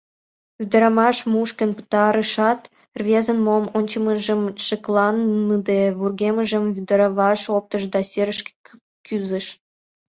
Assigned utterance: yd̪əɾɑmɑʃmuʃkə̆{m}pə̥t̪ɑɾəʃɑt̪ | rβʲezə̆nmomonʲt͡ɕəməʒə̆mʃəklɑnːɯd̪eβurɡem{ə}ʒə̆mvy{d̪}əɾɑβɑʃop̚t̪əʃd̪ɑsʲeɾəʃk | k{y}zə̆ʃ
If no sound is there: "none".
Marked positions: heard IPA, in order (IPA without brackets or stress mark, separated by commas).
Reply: n, ə, d̪, y